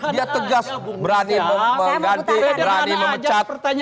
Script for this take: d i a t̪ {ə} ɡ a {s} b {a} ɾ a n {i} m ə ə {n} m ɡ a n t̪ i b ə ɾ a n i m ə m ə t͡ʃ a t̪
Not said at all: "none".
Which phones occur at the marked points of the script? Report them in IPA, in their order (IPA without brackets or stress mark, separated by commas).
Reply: ə, s, ə, i, none